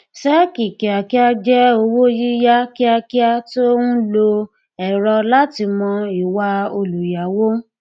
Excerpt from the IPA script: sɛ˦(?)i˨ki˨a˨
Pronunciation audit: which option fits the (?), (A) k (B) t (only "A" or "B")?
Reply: A